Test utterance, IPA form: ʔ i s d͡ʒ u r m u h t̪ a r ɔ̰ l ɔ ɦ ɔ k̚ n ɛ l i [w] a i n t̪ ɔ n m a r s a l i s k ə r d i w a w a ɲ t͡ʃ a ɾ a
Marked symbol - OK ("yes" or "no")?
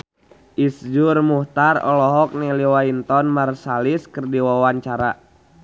yes